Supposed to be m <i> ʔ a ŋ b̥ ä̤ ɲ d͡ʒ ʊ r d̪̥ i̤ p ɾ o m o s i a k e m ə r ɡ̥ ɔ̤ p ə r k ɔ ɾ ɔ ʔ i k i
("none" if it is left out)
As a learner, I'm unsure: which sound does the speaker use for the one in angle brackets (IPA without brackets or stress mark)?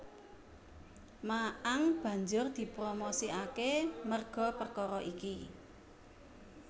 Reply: a